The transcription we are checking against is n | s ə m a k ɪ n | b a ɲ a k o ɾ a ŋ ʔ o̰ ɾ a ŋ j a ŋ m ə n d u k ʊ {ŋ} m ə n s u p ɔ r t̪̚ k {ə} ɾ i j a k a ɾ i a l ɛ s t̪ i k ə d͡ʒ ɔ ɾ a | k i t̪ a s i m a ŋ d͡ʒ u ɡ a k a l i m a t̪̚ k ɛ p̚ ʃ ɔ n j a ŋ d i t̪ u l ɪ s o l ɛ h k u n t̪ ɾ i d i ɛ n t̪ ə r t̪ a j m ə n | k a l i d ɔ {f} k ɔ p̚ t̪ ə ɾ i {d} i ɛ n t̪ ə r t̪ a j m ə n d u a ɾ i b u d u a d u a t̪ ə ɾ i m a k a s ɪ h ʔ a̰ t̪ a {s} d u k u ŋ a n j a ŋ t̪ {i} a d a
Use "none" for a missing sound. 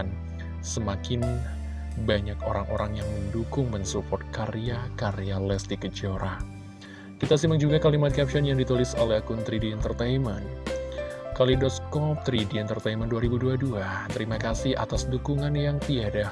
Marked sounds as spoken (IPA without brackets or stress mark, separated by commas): ŋ, a, s, d, s, i